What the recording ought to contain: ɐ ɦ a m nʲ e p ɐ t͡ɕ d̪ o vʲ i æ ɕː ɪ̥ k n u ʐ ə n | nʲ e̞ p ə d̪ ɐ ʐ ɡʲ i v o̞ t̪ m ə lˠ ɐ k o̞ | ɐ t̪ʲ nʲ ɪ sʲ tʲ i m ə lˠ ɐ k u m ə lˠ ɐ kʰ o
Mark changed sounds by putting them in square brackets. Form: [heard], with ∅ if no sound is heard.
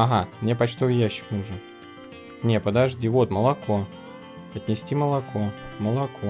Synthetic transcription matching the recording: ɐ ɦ a m nʲ e p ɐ t͡ɕ [t̪] o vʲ [j] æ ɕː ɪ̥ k n u ʐ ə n | nʲ e̞ p ə d̪ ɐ ʐ [dʲ] i v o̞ t̪ m ə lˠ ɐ k o̞ | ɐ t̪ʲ nʲ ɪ sʲ tʲ i m ə lˠ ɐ k [o] m ə lˠ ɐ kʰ o